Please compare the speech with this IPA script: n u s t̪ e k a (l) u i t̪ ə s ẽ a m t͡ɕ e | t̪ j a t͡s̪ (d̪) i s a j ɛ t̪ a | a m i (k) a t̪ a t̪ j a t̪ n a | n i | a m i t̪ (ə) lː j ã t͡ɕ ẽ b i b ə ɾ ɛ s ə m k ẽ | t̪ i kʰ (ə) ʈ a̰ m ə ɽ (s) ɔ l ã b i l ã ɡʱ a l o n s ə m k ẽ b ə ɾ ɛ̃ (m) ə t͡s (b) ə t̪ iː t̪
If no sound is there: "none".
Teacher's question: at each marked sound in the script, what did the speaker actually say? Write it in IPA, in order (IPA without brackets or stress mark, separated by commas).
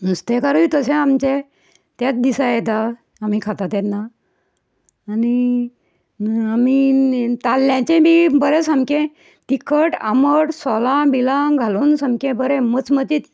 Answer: ɾ, d̪, kʰ, a, ə, s, m, m